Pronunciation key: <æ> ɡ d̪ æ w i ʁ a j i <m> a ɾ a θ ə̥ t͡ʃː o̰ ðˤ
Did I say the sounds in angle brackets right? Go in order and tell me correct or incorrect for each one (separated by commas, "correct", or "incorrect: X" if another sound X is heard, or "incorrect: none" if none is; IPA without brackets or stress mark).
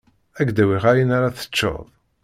correct, incorrect: n